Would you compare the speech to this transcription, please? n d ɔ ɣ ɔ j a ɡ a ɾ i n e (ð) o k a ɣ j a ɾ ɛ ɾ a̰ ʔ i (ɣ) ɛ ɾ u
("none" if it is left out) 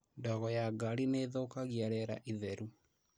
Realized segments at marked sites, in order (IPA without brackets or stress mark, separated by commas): ð, ð